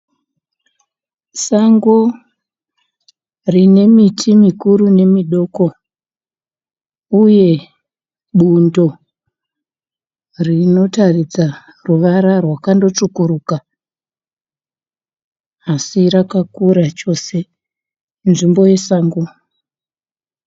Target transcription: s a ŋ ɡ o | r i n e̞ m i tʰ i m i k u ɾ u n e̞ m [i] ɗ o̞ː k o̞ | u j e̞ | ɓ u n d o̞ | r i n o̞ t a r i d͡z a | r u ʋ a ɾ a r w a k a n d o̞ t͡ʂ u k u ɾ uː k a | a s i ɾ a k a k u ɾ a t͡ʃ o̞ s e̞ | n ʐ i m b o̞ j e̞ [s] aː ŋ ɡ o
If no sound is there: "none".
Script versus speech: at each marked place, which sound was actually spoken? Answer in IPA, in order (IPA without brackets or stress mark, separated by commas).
i, s